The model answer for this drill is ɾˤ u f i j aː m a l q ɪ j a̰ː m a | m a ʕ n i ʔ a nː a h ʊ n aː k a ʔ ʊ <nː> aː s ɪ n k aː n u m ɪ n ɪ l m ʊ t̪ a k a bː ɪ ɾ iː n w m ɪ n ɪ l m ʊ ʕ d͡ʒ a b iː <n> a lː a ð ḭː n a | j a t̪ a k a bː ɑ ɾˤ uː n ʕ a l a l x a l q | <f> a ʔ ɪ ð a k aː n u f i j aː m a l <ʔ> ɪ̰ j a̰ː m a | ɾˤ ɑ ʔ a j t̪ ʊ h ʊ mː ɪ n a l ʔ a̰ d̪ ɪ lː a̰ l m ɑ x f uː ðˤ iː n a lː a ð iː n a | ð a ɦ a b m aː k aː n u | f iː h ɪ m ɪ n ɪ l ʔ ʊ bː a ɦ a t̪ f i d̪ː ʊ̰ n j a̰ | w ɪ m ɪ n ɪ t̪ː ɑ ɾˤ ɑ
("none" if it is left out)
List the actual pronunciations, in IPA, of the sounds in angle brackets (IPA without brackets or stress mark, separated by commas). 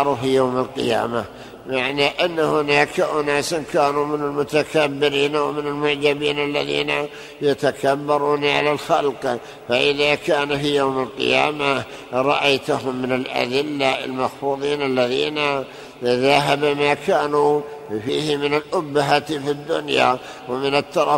n, n, f, q